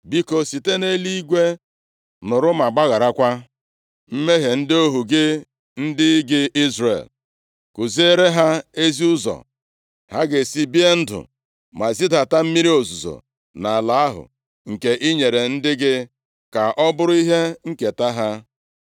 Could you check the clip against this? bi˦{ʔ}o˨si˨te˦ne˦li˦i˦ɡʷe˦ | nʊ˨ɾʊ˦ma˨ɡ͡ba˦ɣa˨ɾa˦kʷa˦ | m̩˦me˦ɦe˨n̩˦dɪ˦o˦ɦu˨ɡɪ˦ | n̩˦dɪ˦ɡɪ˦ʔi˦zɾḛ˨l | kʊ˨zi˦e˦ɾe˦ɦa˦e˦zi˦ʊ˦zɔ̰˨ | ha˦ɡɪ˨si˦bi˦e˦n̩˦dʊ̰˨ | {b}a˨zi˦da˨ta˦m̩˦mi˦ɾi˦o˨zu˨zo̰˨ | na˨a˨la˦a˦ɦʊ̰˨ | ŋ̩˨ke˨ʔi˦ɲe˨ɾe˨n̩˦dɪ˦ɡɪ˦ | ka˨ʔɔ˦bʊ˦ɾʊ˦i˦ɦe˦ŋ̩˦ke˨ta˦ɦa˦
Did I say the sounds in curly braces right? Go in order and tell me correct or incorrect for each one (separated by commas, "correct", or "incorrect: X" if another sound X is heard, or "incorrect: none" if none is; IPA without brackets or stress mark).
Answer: incorrect: k, incorrect: m